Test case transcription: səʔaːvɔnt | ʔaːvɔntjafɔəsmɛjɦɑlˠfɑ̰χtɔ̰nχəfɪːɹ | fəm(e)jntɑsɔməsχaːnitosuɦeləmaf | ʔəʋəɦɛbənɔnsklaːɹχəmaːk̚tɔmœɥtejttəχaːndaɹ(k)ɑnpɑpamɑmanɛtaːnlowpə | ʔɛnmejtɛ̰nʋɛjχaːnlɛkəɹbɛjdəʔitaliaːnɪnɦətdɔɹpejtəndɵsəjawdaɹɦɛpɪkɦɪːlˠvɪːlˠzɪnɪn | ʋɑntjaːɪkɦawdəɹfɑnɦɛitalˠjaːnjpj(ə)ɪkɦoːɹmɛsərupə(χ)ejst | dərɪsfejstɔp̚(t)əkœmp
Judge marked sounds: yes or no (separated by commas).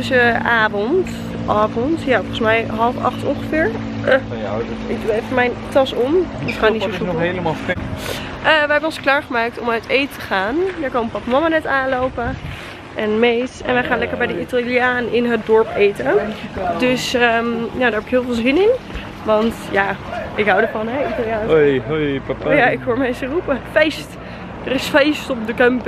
no, yes, no, no, no